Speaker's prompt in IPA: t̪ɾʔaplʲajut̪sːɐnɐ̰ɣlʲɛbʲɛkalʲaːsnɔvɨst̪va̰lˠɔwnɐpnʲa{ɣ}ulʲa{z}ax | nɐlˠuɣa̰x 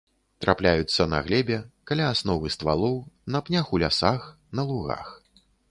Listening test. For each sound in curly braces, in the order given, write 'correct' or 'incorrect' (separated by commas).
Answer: incorrect, incorrect